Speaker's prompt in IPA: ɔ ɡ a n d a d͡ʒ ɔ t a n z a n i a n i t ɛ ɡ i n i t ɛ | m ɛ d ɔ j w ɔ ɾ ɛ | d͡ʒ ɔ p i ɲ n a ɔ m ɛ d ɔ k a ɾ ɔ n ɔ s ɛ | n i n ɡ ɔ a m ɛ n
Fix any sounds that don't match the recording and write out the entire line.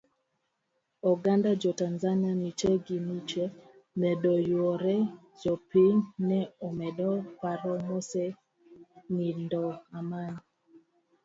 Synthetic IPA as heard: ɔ ɡ a n d a d͡ʒ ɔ t a n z a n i a n i t͡ʃ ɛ ɡ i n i t͡ʃ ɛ | m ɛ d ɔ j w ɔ ɾ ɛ | d͡ʒ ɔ p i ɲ n ɛ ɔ m ɛ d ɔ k a ɾ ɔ m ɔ s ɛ | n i n d ɔ a m a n